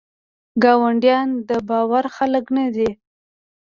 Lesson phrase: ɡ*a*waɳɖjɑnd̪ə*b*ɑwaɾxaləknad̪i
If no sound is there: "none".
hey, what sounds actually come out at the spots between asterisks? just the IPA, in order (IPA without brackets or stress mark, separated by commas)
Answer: ɑ, b